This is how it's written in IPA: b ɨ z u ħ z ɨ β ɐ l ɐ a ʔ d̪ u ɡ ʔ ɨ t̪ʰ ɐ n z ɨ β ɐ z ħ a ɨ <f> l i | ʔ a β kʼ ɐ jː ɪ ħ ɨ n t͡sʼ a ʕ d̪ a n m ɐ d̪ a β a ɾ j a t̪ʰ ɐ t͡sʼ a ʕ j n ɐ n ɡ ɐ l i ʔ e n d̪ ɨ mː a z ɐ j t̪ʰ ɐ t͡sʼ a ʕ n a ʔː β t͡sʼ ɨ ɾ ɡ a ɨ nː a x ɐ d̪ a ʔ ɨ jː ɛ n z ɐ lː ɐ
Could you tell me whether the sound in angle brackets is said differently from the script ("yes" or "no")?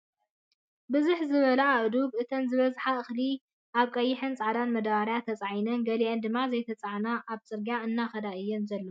yes